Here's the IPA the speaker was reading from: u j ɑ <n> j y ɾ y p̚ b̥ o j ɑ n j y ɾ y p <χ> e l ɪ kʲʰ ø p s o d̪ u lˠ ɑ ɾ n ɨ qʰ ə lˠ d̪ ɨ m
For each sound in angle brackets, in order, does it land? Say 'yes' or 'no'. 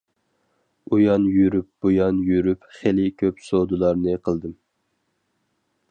yes, yes

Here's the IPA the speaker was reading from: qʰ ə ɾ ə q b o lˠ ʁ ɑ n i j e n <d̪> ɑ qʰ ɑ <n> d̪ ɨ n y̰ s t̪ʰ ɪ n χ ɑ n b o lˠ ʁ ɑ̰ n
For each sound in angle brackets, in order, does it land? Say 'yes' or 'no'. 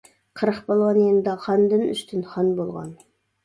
yes, yes

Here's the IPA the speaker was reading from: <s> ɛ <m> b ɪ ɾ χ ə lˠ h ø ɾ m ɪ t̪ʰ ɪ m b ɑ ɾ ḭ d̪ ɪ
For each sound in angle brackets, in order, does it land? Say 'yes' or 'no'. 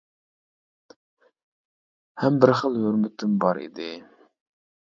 no, yes

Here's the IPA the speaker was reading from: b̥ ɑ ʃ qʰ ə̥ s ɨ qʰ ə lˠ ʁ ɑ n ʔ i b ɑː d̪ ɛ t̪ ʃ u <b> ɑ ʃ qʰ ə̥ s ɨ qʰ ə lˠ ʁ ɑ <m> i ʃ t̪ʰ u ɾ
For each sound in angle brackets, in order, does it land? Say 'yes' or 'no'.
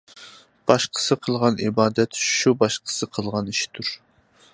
yes, no

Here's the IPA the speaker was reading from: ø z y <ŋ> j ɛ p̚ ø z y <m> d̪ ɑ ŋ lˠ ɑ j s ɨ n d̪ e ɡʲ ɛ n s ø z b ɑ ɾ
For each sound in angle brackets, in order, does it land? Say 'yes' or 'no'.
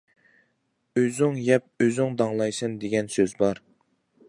yes, no

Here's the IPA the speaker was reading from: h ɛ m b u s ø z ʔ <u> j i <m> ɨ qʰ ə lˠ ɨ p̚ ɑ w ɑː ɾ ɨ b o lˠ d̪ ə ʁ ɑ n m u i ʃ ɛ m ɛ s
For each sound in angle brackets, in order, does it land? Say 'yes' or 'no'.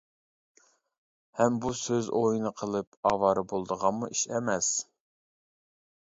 no, no

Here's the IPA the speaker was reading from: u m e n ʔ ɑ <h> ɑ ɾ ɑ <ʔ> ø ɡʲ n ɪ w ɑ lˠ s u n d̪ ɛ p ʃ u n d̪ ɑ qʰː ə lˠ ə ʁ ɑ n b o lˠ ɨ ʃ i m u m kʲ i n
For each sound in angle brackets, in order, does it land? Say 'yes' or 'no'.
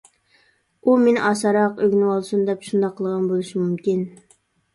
no, no

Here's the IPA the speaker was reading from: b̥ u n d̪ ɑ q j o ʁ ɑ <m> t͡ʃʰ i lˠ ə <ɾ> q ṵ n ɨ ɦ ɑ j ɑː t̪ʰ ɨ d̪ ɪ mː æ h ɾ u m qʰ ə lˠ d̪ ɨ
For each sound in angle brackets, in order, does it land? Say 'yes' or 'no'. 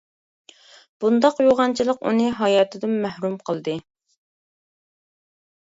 no, no

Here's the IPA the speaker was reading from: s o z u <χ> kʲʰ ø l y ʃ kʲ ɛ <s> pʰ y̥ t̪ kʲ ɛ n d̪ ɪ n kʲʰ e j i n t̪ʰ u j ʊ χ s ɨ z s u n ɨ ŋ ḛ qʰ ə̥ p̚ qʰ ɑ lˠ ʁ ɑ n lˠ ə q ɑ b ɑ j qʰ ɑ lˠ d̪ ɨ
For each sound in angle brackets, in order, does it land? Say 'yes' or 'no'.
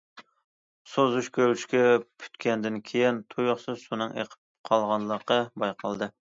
no, no

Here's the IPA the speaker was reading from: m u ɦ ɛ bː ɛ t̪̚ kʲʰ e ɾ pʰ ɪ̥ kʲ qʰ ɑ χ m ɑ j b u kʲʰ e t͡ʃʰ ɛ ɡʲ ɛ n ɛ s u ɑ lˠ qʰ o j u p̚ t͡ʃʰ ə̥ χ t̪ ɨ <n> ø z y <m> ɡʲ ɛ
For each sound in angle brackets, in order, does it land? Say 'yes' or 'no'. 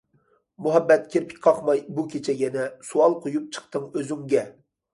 no, no

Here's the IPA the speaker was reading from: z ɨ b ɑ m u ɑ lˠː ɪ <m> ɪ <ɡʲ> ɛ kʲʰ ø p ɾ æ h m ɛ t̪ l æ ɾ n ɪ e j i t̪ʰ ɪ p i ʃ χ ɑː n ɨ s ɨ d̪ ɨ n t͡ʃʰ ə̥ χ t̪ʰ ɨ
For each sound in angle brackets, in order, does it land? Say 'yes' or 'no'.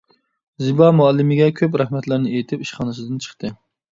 yes, yes

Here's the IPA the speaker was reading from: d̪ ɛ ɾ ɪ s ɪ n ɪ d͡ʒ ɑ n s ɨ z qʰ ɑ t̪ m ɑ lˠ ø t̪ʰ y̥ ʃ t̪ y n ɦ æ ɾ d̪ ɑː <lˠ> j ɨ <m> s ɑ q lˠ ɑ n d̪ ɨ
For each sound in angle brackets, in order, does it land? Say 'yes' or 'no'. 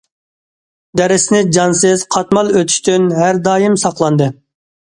no, yes

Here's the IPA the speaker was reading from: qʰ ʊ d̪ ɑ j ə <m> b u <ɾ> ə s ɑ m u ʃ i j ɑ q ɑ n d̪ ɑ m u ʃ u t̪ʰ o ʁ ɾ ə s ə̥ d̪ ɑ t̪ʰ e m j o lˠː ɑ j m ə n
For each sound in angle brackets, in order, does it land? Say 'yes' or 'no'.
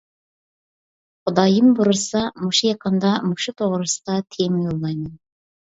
yes, yes

